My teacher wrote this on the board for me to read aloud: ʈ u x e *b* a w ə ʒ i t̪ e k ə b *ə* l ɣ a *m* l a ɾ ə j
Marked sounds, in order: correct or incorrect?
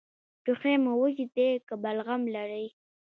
incorrect, incorrect, correct

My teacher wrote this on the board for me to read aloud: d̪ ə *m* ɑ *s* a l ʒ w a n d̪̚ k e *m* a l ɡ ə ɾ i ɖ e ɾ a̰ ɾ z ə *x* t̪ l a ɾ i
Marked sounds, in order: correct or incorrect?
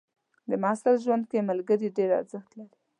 correct, correct, correct, correct

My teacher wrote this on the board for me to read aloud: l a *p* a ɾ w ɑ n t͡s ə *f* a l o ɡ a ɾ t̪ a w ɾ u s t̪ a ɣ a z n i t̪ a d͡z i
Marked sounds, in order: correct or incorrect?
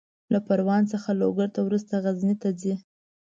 correct, incorrect

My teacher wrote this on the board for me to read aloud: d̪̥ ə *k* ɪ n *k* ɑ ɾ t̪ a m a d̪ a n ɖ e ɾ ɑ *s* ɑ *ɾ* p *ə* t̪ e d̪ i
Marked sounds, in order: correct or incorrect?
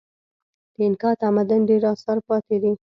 incorrect, correct, correct, correct, incorrect

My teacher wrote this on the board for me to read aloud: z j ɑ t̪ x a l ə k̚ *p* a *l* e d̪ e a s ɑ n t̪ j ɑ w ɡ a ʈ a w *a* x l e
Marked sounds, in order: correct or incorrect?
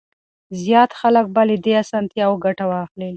incorrect, correct, incorrect

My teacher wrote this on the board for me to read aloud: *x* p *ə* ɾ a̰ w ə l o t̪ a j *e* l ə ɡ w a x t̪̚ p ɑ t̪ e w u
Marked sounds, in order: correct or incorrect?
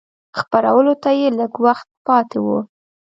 correct, incorrect, correct

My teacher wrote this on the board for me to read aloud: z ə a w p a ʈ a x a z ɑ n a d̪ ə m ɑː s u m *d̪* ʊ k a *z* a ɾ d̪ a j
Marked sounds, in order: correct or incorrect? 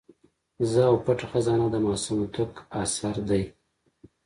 incorrect, incorrect

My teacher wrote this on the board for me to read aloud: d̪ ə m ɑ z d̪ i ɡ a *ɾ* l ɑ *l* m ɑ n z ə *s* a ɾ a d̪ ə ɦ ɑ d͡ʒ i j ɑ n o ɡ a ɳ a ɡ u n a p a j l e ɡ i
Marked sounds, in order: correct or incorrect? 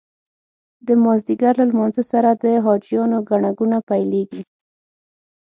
correct, correct, correct

